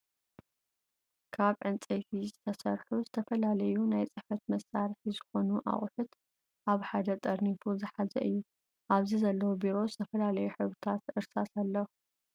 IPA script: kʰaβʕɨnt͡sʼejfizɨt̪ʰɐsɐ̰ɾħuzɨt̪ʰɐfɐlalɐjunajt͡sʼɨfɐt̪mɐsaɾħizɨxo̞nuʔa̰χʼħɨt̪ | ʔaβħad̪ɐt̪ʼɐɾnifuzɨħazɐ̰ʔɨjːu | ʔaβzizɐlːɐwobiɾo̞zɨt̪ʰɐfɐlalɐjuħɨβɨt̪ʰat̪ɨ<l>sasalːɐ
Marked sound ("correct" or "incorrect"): incorrect